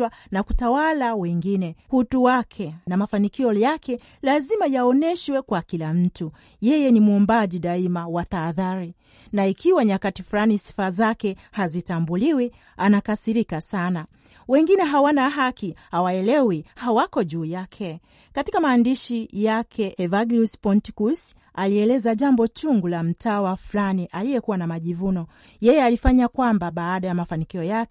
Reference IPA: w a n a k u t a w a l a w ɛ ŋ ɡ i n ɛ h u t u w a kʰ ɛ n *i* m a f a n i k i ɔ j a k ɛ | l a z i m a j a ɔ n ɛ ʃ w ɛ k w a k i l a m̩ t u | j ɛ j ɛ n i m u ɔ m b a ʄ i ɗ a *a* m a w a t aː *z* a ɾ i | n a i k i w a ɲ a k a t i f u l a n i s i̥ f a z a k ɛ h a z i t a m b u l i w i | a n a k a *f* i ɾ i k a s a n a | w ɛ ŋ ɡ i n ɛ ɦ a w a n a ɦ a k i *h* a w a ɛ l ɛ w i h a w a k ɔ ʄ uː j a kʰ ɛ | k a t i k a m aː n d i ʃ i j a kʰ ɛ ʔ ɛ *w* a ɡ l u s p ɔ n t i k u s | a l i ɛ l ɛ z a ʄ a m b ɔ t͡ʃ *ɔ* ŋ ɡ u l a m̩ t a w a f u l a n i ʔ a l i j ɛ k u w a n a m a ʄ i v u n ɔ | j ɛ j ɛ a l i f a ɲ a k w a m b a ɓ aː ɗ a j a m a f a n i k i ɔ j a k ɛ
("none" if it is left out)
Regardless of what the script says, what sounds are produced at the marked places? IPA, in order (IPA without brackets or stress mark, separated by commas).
a, i, ð, s, h, v, u